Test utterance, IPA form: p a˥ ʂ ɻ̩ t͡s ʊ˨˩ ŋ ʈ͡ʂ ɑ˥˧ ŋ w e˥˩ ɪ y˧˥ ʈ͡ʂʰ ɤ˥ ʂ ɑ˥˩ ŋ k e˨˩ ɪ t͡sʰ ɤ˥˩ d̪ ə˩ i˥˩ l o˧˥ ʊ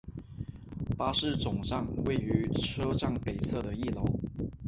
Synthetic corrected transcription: p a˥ ʂ ɻ̩ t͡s ʊ˨˩ ŋ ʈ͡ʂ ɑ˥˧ ŋ w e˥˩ ɪ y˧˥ ʈ͡ʂʰ ɤ˥ ʈ͡ʂ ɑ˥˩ ŋ p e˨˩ ɪ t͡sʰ ɤ˥˩ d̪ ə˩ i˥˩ l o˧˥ ʊ